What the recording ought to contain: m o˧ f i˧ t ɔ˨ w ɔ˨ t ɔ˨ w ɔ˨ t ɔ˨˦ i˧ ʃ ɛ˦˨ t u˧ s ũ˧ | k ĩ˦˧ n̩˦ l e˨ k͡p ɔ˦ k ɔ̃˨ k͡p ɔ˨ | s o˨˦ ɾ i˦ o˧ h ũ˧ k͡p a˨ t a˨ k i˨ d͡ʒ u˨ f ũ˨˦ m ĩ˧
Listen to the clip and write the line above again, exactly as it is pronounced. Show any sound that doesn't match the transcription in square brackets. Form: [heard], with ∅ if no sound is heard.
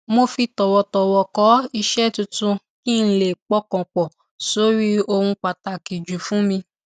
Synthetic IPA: m o˧ f i˧ t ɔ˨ w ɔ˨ t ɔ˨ w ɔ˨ [k] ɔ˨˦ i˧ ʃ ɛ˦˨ t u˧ [t] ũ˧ | k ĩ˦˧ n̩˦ l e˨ k͡p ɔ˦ k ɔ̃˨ k͡p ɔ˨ | s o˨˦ ɾ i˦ o˧ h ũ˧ k͡p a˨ t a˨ k i˨ d͡ʒ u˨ f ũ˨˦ m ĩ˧